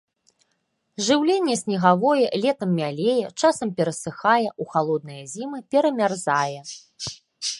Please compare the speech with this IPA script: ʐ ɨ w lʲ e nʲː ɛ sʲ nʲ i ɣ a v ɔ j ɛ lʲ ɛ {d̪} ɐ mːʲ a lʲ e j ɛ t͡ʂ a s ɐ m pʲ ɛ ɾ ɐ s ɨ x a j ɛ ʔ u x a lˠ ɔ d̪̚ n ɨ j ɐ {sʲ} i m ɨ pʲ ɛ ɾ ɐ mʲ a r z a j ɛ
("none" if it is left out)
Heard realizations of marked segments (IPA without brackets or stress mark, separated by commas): t̪, zʲ